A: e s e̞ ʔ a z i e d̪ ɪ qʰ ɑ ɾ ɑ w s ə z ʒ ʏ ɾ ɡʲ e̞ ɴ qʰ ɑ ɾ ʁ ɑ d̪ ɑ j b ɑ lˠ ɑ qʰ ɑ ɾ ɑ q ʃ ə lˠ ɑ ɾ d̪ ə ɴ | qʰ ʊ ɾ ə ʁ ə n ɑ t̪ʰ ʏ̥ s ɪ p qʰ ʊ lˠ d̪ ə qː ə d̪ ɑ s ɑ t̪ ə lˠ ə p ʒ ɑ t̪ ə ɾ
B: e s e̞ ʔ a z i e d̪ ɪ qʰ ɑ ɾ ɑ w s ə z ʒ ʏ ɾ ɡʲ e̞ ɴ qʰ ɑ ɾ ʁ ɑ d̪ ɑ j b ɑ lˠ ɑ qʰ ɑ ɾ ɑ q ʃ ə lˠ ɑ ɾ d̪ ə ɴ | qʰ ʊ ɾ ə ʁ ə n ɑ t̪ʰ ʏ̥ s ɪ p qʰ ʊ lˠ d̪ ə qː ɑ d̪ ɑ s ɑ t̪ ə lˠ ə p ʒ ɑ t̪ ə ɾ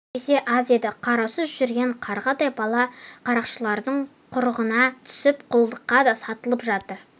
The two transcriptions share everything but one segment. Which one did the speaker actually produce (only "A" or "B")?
B